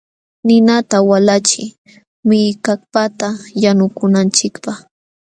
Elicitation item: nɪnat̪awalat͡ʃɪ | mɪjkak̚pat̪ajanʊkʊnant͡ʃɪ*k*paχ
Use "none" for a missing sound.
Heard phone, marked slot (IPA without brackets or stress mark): k